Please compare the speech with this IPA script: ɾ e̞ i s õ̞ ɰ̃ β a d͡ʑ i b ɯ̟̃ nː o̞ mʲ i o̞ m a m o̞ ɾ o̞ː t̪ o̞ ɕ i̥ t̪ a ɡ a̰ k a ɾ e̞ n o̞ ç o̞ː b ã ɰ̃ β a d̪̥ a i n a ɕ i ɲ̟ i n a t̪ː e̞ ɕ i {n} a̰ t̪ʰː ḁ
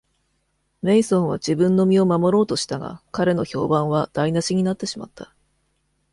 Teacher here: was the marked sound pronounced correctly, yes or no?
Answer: no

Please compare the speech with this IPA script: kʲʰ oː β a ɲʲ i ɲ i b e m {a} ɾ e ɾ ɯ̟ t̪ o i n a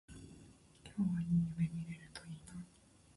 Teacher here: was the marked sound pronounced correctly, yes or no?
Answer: no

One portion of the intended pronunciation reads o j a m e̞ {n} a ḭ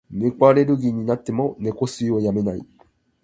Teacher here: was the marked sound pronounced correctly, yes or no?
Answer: yes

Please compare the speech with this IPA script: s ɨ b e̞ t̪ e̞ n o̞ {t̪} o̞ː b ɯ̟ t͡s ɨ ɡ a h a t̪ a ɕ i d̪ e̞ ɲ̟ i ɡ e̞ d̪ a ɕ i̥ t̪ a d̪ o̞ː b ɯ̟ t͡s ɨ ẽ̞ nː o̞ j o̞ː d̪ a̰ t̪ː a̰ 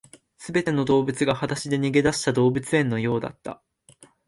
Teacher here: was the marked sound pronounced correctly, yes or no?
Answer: no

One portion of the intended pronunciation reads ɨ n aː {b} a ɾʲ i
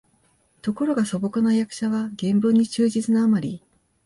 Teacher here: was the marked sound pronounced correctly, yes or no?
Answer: no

